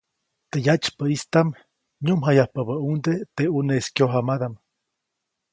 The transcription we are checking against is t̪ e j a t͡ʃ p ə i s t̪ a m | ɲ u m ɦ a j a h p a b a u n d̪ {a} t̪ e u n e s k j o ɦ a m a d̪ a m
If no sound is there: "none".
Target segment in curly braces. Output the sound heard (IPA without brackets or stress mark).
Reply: e